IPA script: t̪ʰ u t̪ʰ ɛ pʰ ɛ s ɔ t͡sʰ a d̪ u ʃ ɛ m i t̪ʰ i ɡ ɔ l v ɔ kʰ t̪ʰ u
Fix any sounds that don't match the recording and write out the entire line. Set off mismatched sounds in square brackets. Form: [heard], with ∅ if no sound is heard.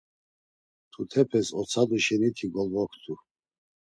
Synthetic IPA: t̪ʰ u t̪ʰ ɛ pʰ ɛ s ɔ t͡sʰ a d̪ u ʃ ɛ [n] i t̪ʰ i ɡ ɔ l v ɔ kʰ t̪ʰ u